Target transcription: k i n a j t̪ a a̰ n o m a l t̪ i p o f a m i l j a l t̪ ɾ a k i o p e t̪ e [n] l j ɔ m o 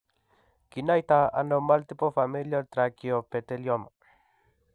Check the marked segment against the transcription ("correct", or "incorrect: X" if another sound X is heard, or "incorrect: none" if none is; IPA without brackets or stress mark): incorrect: none